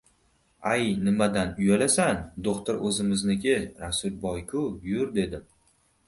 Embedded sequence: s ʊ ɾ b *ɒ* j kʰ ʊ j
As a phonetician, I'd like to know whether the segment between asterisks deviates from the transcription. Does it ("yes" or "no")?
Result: no